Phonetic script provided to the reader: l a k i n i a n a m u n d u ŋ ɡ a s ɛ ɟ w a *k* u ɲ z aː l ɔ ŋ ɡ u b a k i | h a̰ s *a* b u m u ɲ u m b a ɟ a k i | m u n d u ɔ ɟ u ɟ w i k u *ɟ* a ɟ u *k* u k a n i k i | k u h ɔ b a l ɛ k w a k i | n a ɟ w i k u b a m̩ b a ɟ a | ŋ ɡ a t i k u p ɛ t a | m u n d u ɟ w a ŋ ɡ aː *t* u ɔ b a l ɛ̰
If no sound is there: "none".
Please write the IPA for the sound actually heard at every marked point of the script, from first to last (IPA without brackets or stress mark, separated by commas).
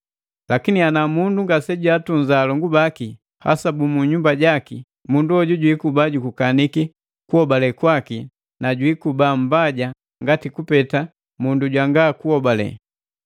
t, a, b, k, k